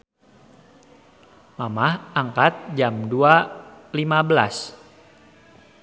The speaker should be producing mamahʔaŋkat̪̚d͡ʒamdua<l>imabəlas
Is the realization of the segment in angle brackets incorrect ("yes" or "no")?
no